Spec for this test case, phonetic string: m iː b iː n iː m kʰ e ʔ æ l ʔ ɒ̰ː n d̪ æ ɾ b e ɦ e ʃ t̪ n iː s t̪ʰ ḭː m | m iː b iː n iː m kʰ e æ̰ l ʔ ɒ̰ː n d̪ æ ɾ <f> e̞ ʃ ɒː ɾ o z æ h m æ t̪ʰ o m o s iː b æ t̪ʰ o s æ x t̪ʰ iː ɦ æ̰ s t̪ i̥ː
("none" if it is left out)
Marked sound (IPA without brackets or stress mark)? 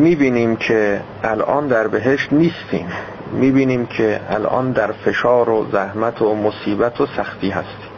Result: f